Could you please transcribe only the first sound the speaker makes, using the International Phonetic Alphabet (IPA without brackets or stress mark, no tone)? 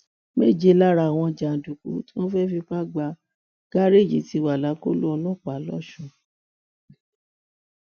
m